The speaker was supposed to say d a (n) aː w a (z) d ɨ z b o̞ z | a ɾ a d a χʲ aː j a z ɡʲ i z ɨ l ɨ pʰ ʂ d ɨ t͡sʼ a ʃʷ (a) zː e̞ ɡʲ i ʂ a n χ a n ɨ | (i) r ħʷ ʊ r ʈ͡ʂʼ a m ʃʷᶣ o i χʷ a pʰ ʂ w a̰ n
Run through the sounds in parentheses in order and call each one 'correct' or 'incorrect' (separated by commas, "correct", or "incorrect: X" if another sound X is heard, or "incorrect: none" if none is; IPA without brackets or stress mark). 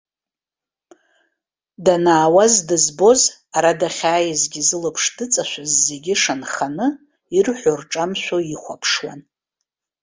correct, correct, correct, correct